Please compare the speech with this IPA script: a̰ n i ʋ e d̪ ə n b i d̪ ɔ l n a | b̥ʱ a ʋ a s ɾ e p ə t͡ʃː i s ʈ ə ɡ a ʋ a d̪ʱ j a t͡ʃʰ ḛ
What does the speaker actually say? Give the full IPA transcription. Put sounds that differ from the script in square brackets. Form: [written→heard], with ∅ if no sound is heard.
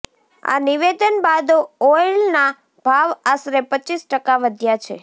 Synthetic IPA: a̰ n i ʋ e d̪ ə n b [i→a] d̪ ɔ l n a | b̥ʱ a ʋ a s ɾ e p ə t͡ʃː i s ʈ ə [ɡ→k] a ʋ [a→ə] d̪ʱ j a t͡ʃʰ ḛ